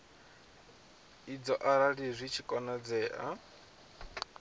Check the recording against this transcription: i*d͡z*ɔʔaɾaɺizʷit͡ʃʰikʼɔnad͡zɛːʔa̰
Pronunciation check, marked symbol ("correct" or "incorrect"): correct